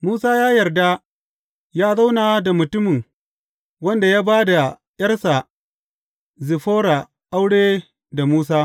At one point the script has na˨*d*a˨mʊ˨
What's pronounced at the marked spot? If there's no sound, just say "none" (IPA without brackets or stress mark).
d